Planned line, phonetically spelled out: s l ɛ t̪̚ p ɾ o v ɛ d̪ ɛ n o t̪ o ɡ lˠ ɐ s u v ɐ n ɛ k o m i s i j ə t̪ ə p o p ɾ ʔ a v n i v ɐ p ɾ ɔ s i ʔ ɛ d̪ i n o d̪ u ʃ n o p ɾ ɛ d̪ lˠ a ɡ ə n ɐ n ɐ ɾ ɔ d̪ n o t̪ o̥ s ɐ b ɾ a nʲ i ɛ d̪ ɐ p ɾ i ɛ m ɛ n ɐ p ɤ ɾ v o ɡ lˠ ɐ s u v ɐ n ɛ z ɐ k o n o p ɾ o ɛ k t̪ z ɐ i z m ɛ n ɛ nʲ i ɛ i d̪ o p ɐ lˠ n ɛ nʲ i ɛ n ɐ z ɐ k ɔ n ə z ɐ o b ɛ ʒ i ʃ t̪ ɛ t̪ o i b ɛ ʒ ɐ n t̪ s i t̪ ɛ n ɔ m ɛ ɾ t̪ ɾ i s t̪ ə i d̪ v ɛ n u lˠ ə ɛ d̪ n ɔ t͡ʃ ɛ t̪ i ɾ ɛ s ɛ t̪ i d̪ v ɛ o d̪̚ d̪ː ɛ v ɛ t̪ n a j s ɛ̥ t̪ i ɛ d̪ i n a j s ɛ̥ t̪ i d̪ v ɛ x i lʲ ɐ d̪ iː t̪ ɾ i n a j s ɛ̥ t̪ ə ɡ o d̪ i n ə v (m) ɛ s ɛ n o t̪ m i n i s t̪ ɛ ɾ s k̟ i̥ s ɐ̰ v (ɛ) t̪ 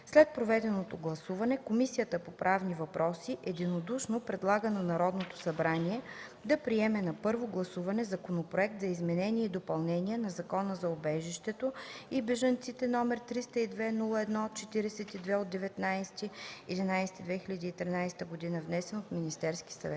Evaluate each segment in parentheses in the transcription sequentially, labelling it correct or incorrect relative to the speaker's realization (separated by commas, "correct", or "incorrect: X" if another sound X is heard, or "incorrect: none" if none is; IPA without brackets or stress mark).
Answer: incorrect: n, correct